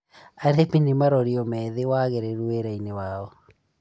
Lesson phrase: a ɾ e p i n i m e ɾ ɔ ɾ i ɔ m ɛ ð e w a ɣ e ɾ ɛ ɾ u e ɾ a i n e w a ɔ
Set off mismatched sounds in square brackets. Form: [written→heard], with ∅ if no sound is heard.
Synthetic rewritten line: a ɾ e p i n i m [e→a] ɾ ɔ ɾ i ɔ m ɛ ð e w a ɣ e ɾ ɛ ɾ u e ɾ a i n e w a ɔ

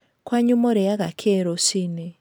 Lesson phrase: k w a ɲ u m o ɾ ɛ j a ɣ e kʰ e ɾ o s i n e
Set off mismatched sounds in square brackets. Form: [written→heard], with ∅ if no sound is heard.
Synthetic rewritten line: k w a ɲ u m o ɾ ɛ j a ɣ [e→a] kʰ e ɾ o s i n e

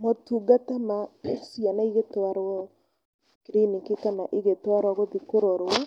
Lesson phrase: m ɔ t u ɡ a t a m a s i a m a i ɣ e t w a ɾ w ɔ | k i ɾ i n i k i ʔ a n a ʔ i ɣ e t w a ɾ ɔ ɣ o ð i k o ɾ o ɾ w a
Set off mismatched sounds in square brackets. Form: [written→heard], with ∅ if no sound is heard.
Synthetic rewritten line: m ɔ t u ɡ a t a m a s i a [m→n] a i ɣ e t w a ɾ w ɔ | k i ɾ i n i k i [ʔ→k] a n a ʔ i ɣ e t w a ɾ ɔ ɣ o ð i k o ɾ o ɾ w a

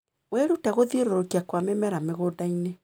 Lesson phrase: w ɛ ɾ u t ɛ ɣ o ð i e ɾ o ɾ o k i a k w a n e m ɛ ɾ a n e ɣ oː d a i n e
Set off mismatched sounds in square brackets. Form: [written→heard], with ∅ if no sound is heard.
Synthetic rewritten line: w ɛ ɾ u t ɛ ɣ o ð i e ɾ o ɾ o k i a k w a [n→m] e m ɛ ɾ a [n→m] e ɣ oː d a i n e

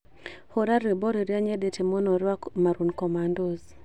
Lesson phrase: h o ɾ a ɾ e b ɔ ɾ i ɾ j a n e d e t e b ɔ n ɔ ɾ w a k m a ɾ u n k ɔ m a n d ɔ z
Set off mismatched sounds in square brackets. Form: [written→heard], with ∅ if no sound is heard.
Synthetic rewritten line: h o ɾ a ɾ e b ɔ ɾ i ɾ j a [n→ɲ] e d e t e [b→m] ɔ n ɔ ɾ w a k m a ɾ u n k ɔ m a n d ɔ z

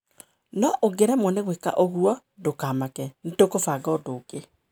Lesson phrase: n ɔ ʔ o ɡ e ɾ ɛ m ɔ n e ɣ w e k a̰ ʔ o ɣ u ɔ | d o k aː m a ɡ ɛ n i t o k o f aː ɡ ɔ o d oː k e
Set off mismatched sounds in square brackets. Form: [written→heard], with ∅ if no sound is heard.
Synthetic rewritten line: n ɔ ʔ o ɡ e ɾ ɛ m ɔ n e ɣ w e k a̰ ʔ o ɣ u ɔ | d o k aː m a [ɡ→k] ɛ n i t o k o f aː ɡ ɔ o d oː k e

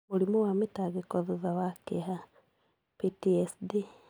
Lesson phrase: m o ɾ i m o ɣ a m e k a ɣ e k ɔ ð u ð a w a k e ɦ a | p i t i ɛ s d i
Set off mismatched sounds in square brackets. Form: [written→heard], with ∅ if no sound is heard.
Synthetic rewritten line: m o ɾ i m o [ɣ→w] a m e [k→t] a ɣ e k ɔ ð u ð a w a k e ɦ a | p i t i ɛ s d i

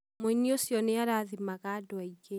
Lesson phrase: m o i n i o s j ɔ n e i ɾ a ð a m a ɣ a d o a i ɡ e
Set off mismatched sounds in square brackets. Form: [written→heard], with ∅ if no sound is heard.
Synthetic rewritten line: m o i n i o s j ɔ n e [i→a] ɾ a ð [a→i] m a ɣ a d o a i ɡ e

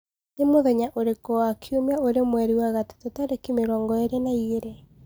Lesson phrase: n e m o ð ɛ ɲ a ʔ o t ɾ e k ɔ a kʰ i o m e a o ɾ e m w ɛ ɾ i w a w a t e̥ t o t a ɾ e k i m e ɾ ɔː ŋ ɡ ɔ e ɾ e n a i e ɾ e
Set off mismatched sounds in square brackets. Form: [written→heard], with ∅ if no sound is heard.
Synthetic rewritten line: n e m o ð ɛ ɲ a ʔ o [t→∅] ɾ e k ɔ a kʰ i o m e a o ɾ e m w ɛ ɾ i w a [w→ɣ] a t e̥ t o t a ɾ e k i m e ɾ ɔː ŋ ɡ ɔ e ɾ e n a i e ɾ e

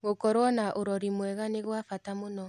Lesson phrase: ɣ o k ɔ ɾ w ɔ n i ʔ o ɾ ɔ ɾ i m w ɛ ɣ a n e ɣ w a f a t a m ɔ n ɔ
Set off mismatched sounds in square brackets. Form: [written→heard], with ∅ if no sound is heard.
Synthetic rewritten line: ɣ o k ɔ ɾ w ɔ n [i→a] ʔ o ɾ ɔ ɾ i m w ɛ ɣ a n e ɣ w a f a t a m [ɔ→o] n ɔ

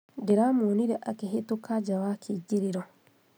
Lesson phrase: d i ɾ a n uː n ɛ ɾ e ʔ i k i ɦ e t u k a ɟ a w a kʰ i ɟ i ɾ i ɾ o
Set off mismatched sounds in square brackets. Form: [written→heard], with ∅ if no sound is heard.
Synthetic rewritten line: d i ɾ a [n→m] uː n [ɛ→i] ɾ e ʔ [i→a] k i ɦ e t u k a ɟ a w a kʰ i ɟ i ɾ i ɾ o

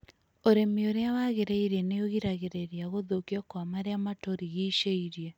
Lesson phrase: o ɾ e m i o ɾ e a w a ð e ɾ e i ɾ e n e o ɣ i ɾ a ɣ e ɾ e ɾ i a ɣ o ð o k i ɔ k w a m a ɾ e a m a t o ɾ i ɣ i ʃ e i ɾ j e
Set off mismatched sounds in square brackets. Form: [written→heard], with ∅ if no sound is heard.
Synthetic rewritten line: o ɾ e m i o ɾ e a w a [ð→ɣ] e ɾ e i ɾ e n e o ɣ i ɾ a ɣ e ɾ e ɾ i a ɣ o ð o k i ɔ k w a m a ɾ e a m a t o ɾ i ɣ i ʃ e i ɾ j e

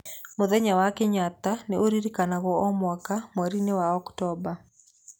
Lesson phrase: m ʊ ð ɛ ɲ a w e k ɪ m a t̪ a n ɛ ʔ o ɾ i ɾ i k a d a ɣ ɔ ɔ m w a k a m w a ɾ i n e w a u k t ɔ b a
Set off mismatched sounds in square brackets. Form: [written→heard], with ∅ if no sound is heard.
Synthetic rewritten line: m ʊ ð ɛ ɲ a w [e→a] k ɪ [m→ɲ] a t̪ a n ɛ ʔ o ɾ i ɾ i k a [d→n] a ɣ ɔ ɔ m w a k a m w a ɾ i n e w a [u→ɔ] k t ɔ b a

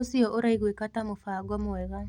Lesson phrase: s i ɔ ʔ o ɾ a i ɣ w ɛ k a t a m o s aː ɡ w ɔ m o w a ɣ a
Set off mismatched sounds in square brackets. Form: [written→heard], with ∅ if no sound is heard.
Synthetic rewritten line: s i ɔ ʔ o ɾ a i ɣ w [ɛ→e] k a t a m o [s→f] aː ɡ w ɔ m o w [a→ɛ] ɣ a

